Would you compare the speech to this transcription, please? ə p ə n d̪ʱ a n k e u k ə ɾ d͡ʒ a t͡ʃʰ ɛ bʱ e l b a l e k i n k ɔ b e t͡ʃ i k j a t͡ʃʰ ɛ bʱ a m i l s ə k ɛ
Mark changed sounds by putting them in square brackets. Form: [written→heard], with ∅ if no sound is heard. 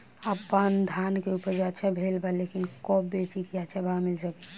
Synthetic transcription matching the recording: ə p ə n d̪ʱ a n k e u [k→p] ə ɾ d͡ʒ a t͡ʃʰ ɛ bʱ e l b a l e k i n k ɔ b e t͡ʃ i k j a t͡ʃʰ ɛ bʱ a m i l s ə k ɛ